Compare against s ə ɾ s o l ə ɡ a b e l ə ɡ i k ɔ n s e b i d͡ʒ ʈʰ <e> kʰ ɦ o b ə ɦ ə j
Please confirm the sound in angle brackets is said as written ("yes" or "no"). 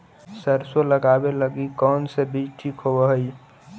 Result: no